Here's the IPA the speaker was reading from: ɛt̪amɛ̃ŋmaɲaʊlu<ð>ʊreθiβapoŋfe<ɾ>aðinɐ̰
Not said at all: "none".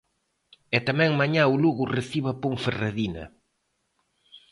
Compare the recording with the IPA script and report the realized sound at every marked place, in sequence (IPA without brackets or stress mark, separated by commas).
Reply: ɣ, r